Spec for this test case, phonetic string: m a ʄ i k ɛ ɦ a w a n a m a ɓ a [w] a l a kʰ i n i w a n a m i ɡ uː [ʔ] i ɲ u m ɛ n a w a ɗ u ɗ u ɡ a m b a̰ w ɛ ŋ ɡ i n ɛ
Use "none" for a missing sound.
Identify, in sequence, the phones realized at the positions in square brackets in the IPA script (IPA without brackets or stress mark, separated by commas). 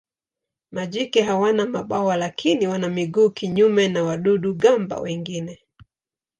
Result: w, k